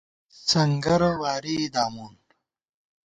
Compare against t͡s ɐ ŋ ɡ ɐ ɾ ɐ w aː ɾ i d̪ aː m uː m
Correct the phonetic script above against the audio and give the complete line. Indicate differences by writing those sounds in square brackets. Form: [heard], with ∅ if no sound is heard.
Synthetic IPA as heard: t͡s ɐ ŋ ɡ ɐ ɾ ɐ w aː ɾ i d̪ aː m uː [n]